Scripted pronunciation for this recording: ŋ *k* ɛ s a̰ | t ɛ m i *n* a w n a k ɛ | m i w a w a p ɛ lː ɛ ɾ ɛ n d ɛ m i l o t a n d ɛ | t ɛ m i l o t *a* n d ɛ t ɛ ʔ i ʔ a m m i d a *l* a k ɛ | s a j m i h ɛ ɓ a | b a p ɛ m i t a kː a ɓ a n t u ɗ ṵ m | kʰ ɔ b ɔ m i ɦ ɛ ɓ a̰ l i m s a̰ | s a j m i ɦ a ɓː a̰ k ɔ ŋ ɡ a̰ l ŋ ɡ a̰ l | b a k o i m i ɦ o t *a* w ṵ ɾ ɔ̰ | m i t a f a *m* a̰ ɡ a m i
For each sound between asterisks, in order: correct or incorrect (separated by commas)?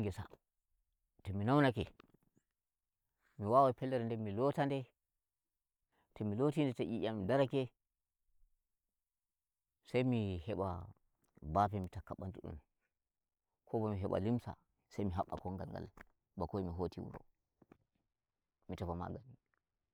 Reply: incorrect, correct, incorrect, incorrect, incorrect, correct